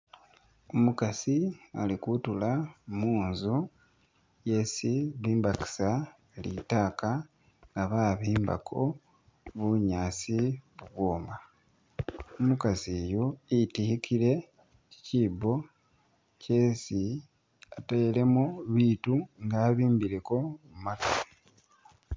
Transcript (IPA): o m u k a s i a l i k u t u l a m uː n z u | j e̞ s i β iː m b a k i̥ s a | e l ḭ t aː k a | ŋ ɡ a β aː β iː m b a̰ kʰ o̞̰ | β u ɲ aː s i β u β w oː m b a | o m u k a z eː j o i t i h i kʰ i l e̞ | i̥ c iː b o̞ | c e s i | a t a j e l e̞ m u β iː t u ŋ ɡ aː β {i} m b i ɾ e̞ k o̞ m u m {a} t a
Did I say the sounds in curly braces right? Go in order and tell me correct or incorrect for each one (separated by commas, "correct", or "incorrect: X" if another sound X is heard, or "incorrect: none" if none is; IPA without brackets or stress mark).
incorrect: iː, correct